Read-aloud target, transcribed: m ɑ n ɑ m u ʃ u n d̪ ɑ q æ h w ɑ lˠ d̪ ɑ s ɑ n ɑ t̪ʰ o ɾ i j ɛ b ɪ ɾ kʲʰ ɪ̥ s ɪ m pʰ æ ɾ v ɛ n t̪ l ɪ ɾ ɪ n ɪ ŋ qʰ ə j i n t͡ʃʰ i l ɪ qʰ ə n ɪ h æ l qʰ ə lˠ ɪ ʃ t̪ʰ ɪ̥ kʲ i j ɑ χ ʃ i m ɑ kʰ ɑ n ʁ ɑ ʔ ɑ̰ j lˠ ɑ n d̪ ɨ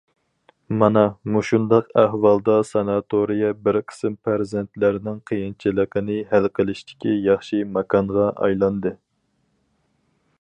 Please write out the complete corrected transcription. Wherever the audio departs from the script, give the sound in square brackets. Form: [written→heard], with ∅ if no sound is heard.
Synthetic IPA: m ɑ n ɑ m u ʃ u n d̪ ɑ q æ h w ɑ lˠ d̪ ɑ s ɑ n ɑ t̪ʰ o ɾ i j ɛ b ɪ ɾ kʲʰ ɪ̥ s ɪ m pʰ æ ɾ [v→z] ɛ n t̪ l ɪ ɾ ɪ n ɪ ŋ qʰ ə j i n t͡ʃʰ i l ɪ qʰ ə n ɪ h æ l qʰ ə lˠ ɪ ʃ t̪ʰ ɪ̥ kʲ i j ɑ χ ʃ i m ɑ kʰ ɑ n ʁ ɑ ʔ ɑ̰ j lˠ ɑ n d̪ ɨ